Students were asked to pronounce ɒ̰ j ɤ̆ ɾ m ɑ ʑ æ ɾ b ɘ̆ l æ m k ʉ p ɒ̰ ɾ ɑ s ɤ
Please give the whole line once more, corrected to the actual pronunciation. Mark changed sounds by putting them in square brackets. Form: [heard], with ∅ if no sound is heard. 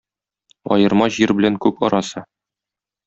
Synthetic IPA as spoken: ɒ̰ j ɤ̆ ɾ m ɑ ʑ [i] ɾ b ɘ̆ l æ [ŋ] k ʉ p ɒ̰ ɾ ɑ s ɤ